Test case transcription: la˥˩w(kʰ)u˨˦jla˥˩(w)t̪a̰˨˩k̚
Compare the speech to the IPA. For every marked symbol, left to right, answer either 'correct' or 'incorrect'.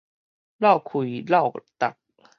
correct, correct

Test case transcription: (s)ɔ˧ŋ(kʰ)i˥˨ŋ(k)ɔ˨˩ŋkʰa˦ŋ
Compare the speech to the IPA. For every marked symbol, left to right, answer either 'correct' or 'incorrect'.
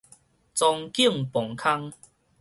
incorrect: t͡s, incorrect: k, incorrect: p

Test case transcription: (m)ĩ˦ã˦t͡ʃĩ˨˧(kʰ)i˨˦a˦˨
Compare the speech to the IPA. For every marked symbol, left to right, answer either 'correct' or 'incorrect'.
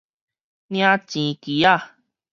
incorrect: n, incorrect: k

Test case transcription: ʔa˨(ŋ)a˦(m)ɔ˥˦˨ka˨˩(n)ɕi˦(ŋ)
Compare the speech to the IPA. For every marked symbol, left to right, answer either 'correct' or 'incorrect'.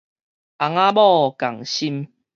correct, incorrect: b, incorrect: ŋ, incorrect: m

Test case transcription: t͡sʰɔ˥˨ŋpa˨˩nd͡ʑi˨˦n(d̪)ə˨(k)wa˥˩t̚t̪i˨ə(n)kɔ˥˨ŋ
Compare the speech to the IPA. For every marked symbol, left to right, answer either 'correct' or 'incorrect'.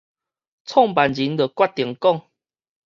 correct, correct, incorrect: ŋ

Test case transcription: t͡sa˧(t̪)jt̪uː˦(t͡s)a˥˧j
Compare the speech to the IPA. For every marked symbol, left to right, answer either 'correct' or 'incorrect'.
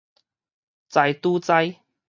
incorrect: none, correct

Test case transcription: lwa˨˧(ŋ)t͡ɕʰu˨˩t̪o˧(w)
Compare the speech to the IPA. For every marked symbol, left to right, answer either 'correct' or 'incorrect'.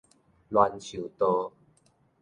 incorrect: n, incorrect: none

